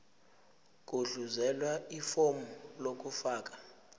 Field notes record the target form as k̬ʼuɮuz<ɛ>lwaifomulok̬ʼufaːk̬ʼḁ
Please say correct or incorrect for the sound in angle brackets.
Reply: correct